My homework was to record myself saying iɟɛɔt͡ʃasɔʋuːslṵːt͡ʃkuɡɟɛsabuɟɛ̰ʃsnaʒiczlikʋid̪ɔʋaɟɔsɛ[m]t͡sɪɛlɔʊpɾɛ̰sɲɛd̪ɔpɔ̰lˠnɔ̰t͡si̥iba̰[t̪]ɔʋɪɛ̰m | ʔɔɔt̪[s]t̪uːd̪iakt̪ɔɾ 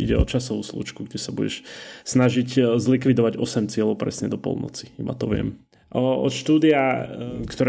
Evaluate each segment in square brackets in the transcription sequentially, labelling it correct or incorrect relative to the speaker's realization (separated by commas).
correct, correct, incorrect